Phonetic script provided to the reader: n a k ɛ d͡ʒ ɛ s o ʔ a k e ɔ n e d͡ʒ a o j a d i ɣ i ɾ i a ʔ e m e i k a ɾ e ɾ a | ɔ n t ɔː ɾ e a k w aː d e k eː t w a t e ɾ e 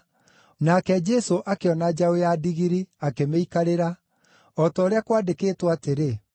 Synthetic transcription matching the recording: n a k ɛ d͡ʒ ɛ s o ʔ a k e ɔ n a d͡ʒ a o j a d i ɣ i ɾ i a k e m e i k a ɾ e ɾ a | ɔ t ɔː ɾ e a k w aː d e k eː t w a t e ɾ e